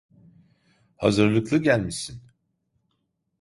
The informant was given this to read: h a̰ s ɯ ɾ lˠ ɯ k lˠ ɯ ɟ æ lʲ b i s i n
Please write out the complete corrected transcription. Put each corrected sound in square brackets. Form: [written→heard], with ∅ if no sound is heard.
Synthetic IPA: h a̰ [s→z] ɯ ɾ lˠ ɯ k lˠ ɯ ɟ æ lʲ [b→m] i s i n

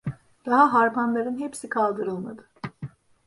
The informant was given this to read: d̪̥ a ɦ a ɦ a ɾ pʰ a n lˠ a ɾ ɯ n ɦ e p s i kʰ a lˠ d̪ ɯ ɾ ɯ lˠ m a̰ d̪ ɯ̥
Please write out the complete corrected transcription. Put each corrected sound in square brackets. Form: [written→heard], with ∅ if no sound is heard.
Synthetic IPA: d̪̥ a ɦ a ɦ a ɾ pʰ a n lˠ a ɾ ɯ n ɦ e p s i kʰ a lˠ d̪ ɯ ɾ ɯ lˠ m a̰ d̪ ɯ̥

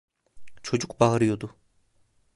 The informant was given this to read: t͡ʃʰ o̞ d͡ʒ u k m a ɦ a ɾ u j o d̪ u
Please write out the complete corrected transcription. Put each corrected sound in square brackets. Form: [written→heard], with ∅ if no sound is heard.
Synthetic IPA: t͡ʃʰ o̞ d͡ʒ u k [m→b] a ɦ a ɾ [u→ɯ] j o d̪ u

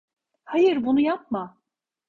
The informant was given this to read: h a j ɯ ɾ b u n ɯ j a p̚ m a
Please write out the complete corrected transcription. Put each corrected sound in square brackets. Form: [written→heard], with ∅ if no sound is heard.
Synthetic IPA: h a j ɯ ɾ b u n [ɯ→u] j a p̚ m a

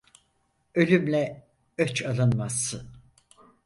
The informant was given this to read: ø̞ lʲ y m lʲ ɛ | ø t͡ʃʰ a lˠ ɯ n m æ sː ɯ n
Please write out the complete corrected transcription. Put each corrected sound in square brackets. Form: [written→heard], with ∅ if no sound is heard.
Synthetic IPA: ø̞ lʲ y m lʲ ɛ | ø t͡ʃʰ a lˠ ɯ n m [æ→a] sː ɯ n

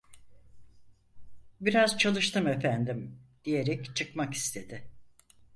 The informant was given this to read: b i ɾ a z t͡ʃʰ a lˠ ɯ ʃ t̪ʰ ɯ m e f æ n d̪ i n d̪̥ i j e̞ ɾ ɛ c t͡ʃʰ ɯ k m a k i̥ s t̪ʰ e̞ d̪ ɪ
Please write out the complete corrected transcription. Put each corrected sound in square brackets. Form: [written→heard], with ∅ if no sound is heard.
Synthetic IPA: b i ɾ a z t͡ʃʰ a lˠ ɯ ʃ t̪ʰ ɯ m e f æ n d̪ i [n→m] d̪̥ i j e̞ ɾ ɛ c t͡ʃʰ ɯ k m a k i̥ s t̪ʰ e̞ d̪ ɪ

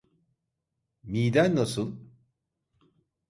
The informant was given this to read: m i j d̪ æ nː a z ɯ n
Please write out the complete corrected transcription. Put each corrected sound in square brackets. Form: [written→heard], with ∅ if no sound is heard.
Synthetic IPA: m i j d̪ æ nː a [z→s] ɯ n

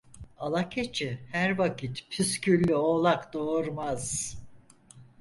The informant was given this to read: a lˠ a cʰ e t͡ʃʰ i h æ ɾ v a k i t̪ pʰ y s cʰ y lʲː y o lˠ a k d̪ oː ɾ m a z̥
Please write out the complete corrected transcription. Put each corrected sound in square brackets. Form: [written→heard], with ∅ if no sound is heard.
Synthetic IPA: a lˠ a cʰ e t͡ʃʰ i h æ ɾ v a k i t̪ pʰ y s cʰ y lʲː y o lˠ a k d̪ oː ɾ m a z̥

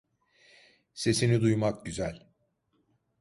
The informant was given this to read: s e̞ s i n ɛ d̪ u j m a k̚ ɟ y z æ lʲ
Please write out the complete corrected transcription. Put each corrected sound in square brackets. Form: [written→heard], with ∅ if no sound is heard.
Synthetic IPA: s e̞ s i n [ɛ→i] d̪ u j m a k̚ ɟ y z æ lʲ

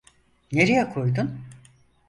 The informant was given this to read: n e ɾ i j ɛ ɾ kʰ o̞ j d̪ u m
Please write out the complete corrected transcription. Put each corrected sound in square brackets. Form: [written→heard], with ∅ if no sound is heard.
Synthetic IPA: n e ɾ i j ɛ [ɾ→∅] kʰ o̞ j d̪ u [m→n]

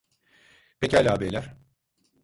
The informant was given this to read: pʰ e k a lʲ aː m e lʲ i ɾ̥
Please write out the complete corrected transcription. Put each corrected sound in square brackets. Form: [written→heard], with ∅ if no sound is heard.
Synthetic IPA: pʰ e [k→c] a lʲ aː [m→b] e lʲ [i→æ] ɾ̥

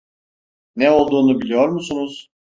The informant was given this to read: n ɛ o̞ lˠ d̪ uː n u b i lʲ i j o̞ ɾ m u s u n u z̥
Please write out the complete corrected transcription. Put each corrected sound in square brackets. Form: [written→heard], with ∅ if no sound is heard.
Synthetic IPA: n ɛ o̞ lˠ d̪ uː n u b i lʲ i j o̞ ɾ m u s u n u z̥

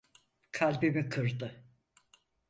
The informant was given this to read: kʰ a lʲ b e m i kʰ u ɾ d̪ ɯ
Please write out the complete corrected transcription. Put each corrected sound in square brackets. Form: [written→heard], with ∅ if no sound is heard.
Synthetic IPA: kʰ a lʲ b [e→i] m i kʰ [u→ɯ] ɾ d̪ ɯ

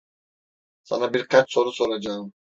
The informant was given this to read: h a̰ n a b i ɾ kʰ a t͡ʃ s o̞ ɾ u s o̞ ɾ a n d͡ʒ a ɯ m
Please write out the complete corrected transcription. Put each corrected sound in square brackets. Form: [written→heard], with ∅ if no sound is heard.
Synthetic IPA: [h→s] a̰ n a b i ɾ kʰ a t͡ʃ s o̞ ɾ u s o̞ ɾ a [n→∅] d͡ʒ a ɯ m

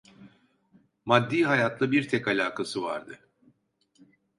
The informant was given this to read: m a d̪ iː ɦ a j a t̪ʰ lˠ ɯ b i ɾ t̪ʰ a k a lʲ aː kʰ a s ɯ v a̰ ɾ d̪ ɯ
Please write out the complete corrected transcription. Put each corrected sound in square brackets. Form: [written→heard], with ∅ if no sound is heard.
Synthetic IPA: m a [d̪→d̪ː] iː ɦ a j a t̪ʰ lˠ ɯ b i ɾ t̪ʰ [a→ɛ] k a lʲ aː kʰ a s ɯ v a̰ ɾ d̪ ɯ

